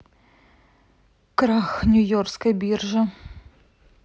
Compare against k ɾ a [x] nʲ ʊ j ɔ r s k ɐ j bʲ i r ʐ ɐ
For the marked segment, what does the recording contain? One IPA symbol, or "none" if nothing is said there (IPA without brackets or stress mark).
x